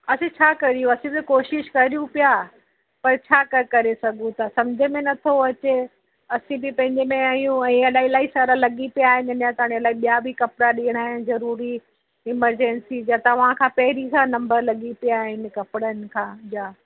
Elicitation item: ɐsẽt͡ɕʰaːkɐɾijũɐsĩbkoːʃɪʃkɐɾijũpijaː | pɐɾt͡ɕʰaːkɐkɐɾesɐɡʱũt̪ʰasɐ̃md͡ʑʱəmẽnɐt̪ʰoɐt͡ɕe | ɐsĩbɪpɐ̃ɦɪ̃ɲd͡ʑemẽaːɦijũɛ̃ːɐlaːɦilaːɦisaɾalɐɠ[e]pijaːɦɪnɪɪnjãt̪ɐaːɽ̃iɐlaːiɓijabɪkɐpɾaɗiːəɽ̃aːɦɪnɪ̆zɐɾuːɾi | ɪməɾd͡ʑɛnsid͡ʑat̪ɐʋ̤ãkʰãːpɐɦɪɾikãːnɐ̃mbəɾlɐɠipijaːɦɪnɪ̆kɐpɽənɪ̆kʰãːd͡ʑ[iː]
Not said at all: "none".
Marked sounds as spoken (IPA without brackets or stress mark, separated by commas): i, aː